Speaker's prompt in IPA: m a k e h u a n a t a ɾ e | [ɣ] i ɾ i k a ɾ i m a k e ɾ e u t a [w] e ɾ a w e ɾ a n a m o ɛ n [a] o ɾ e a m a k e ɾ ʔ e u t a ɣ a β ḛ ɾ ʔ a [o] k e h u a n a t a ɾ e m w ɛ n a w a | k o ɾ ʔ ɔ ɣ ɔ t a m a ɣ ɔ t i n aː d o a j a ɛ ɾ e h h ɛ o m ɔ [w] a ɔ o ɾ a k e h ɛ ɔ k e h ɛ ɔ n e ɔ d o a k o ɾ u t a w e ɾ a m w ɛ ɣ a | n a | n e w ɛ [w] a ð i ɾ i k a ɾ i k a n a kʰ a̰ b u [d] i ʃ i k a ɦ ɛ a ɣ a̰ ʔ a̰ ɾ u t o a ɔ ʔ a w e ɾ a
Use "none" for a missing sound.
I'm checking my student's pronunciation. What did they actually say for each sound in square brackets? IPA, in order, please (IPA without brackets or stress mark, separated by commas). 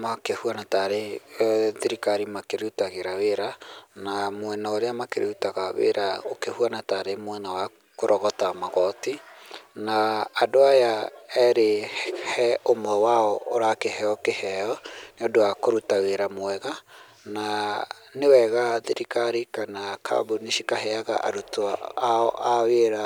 ð, ɣ, a, o, w, ɣ, n